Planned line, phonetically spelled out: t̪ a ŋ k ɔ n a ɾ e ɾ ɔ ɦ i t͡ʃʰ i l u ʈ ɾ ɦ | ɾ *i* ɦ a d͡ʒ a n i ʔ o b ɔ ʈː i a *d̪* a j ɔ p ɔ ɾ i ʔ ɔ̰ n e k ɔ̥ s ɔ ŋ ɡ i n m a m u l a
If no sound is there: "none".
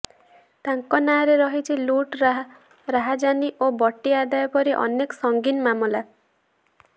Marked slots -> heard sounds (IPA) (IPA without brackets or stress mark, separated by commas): a, d̪